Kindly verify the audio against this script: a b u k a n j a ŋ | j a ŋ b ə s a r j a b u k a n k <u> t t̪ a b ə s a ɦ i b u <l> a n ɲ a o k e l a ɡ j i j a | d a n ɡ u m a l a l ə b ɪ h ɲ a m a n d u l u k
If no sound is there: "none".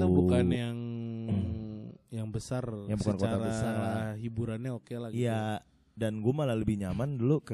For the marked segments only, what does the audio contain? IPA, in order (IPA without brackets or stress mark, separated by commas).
o, ɾ